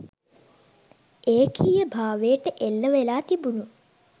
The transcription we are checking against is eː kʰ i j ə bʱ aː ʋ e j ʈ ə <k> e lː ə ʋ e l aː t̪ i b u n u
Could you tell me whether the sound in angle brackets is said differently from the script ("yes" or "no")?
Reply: yes